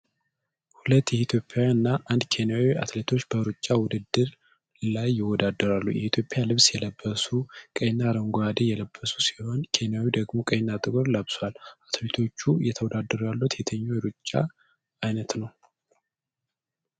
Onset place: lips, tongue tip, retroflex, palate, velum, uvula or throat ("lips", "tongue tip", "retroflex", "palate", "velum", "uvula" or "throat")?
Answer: throat